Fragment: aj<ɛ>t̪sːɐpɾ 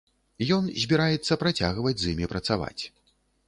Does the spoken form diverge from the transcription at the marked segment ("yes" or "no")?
no